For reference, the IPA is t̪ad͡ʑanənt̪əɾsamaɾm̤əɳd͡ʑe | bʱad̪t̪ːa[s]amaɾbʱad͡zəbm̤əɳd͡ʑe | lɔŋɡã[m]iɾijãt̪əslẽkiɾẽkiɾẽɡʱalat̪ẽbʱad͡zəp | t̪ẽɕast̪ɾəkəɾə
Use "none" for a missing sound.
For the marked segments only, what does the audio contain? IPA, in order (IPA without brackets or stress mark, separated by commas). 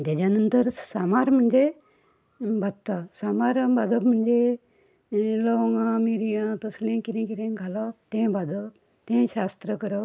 s, m